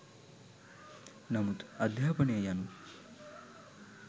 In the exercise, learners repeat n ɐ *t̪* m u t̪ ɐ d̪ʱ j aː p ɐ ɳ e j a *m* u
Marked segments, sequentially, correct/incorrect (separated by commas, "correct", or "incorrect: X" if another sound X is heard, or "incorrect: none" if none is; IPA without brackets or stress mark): incorrect: none, incorrect: n